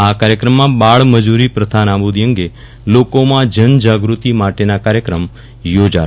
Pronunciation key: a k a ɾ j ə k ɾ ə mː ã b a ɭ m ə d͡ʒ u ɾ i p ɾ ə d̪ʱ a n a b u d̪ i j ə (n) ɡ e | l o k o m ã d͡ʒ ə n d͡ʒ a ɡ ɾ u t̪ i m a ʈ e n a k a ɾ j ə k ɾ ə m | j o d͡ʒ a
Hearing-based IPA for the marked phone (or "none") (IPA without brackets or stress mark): ŋ